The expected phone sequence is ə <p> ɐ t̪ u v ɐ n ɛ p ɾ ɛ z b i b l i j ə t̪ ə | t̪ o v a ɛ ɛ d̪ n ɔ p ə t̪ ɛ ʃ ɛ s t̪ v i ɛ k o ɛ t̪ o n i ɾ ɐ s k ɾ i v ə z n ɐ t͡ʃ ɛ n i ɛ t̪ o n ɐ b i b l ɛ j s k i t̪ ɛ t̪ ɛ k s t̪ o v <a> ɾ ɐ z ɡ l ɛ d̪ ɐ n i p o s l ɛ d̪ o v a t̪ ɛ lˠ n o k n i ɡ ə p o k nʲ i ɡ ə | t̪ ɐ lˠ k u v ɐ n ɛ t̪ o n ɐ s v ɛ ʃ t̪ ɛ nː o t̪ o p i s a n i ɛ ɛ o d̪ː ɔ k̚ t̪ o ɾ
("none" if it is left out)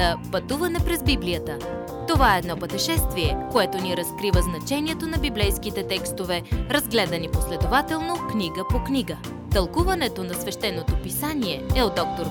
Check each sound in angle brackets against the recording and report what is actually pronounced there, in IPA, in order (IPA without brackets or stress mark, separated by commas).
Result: p, ɛ